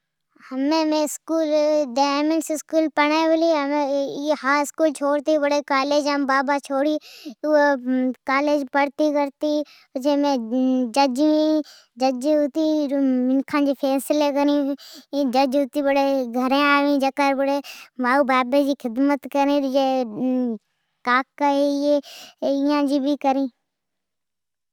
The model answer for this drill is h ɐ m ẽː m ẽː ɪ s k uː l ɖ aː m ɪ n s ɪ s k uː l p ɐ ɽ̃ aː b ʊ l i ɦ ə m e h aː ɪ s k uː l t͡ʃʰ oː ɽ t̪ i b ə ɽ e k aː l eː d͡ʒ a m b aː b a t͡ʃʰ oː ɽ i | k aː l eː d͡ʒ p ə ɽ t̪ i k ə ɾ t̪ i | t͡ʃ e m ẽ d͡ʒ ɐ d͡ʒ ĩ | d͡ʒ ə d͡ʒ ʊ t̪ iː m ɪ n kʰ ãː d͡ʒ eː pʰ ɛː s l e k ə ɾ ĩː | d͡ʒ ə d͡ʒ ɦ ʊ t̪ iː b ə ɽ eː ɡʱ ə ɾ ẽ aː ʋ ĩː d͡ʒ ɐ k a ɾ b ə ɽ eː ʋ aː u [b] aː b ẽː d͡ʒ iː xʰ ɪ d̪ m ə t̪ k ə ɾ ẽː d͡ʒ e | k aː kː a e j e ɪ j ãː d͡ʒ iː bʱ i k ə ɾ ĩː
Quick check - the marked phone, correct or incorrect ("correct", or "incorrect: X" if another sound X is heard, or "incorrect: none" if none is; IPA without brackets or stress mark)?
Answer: correct